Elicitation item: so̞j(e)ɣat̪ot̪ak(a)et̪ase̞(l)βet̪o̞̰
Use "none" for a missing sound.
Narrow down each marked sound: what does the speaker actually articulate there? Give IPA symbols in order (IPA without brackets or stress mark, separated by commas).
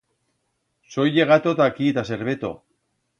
e, i, ɾ